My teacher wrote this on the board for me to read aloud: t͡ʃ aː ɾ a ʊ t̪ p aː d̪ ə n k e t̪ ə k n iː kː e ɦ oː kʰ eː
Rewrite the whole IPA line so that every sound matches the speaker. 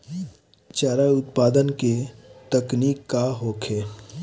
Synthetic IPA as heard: t͡ʃ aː ɾ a ʊ t̪ p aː d̪ ə n k e t̪ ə k n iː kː a ɦ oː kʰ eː